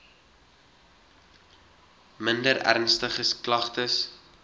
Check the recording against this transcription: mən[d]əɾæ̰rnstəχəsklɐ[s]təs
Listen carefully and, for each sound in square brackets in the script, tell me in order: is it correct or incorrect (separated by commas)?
correct, incorrect